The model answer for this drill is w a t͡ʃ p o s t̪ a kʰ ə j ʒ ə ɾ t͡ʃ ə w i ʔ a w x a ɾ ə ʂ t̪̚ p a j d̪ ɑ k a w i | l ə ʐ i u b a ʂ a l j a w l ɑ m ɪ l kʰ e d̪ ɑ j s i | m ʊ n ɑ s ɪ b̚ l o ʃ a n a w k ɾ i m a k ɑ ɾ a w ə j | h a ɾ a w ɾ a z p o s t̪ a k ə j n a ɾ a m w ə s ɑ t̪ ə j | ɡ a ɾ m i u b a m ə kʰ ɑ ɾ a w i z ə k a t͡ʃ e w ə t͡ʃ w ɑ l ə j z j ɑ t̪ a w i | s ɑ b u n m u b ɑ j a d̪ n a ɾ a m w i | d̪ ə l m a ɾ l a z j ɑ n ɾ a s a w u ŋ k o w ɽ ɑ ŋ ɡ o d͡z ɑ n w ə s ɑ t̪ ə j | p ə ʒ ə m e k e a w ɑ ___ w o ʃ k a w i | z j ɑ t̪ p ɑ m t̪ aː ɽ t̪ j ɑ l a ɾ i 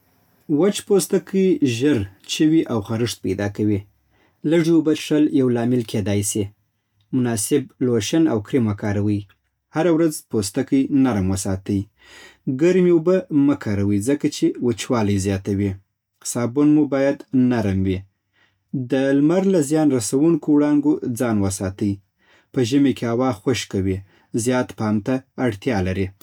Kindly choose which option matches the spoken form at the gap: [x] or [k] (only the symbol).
x